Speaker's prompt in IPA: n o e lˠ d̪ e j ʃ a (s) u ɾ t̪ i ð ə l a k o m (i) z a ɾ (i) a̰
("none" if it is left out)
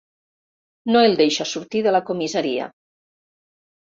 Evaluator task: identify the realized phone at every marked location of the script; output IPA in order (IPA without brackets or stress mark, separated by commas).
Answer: s, i, i